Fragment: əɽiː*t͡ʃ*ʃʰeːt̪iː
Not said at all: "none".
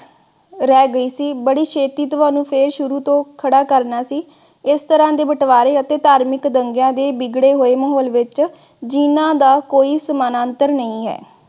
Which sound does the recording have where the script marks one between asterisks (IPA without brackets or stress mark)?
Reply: none